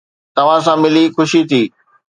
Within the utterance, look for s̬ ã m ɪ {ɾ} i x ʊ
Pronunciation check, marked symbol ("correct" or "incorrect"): incorrect